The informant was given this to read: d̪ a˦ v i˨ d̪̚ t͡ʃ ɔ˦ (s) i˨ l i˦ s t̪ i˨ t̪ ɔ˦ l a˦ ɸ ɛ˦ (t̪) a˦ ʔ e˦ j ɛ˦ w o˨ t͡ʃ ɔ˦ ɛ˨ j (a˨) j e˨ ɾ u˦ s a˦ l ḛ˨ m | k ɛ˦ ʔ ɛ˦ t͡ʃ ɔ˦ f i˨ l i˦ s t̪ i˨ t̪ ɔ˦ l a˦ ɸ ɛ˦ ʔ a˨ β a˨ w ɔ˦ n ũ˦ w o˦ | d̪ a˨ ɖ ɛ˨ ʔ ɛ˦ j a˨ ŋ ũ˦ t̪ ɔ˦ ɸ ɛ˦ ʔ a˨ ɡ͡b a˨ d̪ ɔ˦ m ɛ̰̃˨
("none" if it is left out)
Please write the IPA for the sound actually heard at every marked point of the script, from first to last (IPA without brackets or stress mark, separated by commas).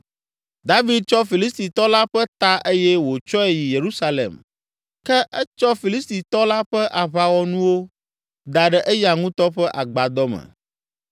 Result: f, t̪, i˨